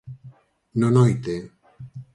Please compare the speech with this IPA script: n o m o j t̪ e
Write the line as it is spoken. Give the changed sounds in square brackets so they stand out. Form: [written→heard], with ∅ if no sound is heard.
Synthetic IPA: n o [m→n] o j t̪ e